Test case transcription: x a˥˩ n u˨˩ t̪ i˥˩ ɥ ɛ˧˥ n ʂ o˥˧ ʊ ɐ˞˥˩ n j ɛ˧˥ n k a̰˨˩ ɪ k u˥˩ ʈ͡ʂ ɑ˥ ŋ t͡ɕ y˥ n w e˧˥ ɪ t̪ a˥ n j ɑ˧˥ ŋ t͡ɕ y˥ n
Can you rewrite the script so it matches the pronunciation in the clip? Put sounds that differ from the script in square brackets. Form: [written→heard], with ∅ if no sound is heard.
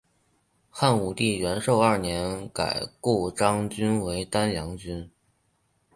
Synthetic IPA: x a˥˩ n u˨˩ t̪ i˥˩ ɥ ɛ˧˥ n ʂ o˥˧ ʊ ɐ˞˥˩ n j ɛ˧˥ n k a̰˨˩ ɪ k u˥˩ ʈ͡ʂ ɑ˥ ŋ t͡ɕ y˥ n w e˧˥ ɪ t̪ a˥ n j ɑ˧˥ ŋ t͡ɕ y˥ n